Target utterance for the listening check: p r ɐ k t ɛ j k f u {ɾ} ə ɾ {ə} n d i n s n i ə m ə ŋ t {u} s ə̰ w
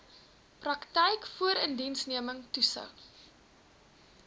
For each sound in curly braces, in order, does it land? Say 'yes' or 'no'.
no, yes, yes

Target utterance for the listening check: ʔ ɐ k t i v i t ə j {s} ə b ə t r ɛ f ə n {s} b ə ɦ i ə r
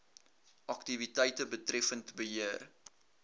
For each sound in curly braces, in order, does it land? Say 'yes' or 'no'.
no, no

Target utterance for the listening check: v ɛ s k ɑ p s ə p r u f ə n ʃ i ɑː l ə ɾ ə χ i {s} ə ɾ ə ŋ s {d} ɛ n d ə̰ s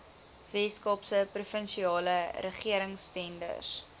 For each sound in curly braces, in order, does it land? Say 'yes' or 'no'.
no, no

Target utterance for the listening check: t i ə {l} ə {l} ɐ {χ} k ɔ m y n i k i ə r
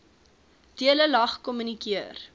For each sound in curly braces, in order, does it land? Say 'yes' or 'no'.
yes, yes, yes

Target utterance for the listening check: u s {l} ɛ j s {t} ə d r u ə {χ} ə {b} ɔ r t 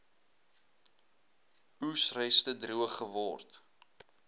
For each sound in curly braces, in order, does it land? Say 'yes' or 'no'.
no, yes, yes, no

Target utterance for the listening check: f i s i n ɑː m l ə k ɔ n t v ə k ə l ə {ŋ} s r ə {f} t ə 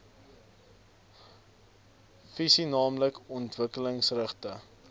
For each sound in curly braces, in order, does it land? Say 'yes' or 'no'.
yes, no

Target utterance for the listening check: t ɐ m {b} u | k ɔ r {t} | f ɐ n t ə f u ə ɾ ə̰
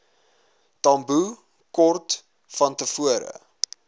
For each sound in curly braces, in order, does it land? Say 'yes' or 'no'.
yes, yes

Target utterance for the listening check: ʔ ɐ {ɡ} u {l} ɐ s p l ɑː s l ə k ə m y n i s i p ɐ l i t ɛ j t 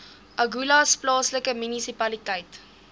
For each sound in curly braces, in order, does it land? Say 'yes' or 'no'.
yes, yes

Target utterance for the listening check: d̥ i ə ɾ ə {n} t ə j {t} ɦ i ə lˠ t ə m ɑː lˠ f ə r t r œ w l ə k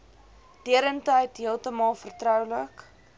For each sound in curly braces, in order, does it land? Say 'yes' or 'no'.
yes, yes

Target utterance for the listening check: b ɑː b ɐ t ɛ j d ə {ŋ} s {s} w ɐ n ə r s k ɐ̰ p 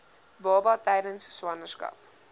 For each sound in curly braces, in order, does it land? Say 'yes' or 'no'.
no, yes

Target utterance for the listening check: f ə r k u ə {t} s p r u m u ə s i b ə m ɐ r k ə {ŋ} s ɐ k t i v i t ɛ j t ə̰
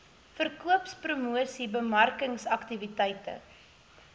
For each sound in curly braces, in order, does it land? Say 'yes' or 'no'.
no, yes

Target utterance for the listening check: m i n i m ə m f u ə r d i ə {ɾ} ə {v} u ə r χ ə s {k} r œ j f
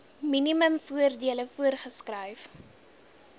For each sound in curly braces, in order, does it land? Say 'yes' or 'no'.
no, no, yes

